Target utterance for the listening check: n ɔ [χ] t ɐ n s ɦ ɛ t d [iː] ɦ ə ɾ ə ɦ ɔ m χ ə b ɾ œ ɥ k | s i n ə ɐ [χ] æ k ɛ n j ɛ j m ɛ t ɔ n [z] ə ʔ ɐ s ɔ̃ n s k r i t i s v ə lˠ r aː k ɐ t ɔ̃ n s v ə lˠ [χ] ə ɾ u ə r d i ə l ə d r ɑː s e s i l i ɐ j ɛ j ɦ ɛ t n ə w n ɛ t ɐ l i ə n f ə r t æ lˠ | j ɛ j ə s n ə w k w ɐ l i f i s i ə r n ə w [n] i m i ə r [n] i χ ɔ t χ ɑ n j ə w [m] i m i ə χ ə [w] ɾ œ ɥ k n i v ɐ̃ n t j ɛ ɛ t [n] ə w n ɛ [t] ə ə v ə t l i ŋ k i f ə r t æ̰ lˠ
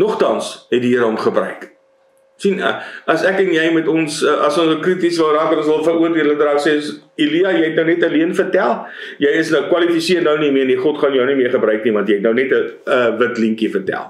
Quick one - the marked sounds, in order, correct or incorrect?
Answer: correct, incorrect: i, incorrect: s, incorrect: s, incorrect: f, correct, correct, incorrect: n, incorrect: b, correct, correct

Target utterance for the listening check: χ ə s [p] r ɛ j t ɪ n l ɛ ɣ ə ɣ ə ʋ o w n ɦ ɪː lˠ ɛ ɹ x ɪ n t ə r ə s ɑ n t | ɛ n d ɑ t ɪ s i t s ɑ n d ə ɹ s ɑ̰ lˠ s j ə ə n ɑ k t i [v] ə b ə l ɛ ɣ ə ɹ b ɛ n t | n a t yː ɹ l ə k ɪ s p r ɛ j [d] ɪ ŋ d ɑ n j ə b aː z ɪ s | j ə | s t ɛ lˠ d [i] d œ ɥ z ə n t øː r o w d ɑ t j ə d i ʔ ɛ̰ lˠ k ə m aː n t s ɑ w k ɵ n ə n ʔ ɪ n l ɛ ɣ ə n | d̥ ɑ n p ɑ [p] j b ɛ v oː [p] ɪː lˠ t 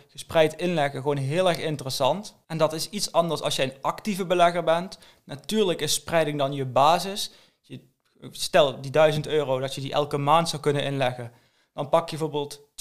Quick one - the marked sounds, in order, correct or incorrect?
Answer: correct, correct, correct, correct, incorrect: k, incorrect: b

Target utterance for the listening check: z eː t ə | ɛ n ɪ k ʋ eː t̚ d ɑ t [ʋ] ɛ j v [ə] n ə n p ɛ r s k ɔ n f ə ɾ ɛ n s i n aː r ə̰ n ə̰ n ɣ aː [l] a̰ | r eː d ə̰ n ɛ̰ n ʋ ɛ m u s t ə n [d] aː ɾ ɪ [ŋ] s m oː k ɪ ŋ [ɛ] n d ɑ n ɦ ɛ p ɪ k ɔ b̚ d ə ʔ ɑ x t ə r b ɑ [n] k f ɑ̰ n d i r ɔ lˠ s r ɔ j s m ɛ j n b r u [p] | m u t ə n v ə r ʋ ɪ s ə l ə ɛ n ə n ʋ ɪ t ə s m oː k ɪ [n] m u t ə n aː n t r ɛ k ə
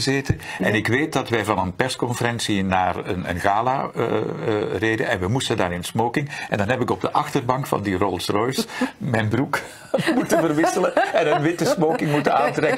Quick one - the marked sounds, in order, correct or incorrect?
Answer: correct, incorrect: ɑ, correct, correct, incorrect: n, correct, incorrect: ŋ, incorrect: k, incorrect: ŋ

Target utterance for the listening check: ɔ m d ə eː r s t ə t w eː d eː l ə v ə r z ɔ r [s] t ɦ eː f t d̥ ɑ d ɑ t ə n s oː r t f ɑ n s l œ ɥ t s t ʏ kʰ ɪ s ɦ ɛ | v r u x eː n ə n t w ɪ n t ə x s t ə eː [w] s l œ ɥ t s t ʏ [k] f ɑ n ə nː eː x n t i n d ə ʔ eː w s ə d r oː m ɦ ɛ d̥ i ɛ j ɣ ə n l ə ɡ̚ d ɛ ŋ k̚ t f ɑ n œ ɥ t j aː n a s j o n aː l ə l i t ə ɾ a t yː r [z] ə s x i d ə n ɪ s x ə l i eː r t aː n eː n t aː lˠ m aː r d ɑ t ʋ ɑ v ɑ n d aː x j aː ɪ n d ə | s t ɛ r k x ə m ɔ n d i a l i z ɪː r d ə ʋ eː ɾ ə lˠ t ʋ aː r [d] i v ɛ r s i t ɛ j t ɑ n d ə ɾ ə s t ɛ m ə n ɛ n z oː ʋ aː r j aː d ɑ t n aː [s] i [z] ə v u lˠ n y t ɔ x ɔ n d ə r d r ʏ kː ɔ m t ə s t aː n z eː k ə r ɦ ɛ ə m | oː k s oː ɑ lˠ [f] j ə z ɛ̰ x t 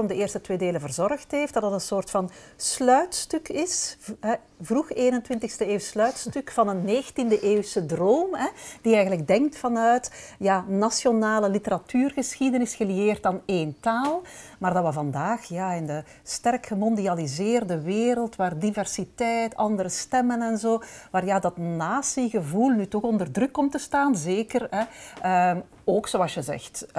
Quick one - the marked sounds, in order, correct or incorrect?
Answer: incorrect: x, correct, correct, incorrect: ɣ, correct, correct, incorrect: ɣ, incorrect: s

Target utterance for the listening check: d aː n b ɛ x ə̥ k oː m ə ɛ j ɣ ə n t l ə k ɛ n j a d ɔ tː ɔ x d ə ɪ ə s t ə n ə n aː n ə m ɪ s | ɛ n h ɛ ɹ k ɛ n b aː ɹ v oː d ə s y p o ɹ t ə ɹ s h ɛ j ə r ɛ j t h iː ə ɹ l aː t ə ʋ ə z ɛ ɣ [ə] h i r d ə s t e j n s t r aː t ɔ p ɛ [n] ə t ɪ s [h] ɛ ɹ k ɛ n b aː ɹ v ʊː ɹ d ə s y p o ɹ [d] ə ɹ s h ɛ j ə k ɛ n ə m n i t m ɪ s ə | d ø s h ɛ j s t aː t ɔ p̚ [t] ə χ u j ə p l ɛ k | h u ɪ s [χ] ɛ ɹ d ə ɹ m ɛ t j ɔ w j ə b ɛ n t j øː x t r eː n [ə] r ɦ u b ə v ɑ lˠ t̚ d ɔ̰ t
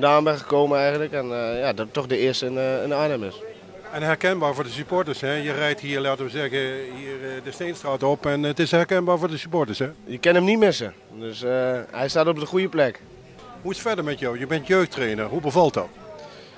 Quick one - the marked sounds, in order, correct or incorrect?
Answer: correct, correct, correct, incorrect: t, incorrect: d, incorrect: f, correct

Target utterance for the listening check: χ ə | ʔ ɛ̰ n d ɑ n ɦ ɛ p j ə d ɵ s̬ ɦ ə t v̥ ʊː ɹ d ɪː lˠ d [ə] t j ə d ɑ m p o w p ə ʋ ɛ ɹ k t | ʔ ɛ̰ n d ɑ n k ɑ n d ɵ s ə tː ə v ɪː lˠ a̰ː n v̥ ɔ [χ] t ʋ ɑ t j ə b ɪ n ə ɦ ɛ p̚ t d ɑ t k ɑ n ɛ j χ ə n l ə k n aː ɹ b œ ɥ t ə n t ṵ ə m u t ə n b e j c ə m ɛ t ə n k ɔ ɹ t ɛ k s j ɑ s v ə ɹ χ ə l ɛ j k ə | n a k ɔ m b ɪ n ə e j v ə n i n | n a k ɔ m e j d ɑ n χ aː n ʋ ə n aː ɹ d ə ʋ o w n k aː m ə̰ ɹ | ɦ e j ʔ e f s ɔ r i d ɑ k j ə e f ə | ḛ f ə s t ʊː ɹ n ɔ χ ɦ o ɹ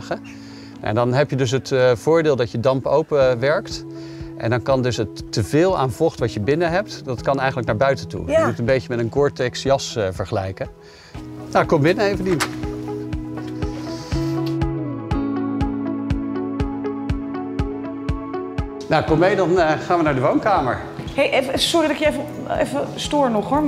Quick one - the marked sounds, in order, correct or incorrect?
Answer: incorrect: ɑ, correct

